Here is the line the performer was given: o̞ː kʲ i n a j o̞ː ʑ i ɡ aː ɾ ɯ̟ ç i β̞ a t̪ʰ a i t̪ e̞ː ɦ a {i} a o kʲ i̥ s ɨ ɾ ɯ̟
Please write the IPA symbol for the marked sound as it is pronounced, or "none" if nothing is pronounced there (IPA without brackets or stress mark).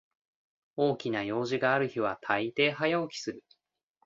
j